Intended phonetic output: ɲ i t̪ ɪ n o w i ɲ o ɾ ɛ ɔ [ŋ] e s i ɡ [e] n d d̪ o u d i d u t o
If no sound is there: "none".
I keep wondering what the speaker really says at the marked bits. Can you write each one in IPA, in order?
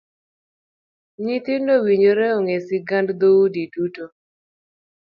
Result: ŋ, a

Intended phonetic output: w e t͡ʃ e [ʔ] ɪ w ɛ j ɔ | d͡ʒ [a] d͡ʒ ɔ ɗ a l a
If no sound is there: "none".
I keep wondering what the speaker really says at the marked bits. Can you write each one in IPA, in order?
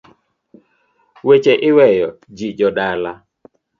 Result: ʔ, i

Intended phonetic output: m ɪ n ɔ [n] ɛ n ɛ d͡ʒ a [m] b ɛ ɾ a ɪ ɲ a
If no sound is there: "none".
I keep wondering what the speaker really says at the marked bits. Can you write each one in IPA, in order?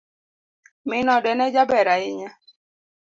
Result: d, none

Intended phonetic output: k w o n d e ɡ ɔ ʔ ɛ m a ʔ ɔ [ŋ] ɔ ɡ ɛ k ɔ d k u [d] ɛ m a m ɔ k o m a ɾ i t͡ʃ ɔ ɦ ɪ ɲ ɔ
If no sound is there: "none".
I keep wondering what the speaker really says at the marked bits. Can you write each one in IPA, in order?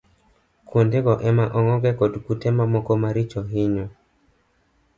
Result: ŋ, t

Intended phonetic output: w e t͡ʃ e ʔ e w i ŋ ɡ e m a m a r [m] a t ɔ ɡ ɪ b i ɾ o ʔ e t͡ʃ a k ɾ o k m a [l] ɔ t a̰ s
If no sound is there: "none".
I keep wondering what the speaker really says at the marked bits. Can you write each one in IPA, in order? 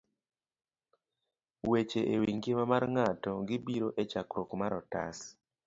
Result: ŋ, ɾ

